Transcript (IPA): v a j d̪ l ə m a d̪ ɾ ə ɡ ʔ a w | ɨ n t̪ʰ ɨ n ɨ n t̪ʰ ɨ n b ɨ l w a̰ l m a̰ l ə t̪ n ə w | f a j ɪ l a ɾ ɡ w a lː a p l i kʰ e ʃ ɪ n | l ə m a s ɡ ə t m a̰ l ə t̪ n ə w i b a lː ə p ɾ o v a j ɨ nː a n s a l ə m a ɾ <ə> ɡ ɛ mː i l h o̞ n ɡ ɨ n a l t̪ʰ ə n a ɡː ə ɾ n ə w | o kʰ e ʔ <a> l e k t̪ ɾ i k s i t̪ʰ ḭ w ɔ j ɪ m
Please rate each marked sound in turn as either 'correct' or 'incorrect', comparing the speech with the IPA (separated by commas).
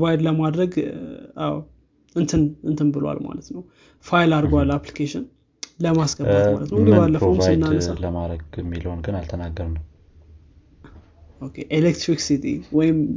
correct, incorrect